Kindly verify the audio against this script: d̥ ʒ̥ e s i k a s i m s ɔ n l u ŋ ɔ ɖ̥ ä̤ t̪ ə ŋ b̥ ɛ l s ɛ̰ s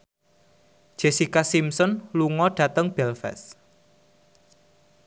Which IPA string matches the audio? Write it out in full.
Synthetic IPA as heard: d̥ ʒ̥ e s i k a s i m s ɔ n l u ŋ ɔ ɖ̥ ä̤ t̪ ə ŋ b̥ ɛ l f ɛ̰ s